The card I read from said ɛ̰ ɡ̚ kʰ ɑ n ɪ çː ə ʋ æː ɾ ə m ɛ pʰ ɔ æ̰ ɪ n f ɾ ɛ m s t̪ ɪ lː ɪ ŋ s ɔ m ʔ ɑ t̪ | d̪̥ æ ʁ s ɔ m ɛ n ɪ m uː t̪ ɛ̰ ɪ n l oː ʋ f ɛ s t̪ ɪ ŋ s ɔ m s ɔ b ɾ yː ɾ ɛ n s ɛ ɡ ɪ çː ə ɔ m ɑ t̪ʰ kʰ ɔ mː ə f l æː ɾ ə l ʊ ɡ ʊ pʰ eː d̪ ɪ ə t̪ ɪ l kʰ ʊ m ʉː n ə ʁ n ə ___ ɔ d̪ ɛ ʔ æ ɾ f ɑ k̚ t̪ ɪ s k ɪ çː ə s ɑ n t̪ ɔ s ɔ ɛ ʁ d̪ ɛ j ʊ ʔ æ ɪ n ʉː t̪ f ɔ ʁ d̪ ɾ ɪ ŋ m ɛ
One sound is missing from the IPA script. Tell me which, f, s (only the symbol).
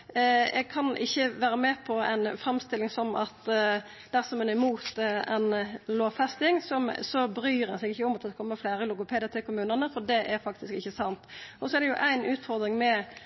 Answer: f